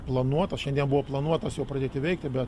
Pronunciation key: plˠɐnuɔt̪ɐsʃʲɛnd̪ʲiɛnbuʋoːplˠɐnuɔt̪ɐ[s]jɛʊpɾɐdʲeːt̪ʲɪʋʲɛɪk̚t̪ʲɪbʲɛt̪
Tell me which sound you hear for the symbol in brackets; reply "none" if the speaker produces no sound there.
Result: s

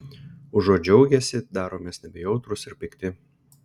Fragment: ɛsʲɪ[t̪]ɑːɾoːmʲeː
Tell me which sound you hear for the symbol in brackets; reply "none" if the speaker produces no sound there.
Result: d̪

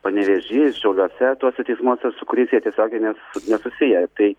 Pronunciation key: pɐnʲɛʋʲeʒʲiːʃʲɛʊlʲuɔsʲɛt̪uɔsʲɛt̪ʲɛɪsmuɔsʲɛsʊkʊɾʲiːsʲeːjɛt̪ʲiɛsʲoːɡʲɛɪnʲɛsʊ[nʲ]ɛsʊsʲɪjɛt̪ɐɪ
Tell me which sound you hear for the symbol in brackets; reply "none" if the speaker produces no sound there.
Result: nʲ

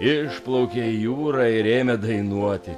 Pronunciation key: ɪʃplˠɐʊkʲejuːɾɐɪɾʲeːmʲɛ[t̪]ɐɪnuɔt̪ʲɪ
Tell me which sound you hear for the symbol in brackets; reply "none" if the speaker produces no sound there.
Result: d̪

